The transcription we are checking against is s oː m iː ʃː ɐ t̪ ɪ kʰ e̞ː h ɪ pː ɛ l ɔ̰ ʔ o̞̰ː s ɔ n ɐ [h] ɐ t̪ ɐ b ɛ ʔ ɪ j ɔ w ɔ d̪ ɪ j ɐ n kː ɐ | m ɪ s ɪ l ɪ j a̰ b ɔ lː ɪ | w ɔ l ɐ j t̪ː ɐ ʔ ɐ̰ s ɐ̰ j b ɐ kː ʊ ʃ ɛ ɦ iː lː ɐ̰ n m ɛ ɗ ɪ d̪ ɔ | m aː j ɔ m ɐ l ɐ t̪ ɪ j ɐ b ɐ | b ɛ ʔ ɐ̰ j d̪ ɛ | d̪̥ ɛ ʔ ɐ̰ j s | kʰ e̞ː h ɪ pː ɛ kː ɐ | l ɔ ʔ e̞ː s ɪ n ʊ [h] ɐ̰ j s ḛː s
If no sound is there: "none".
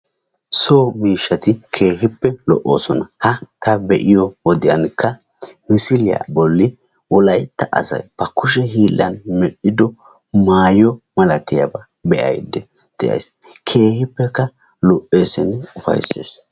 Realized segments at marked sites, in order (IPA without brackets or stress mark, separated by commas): h, f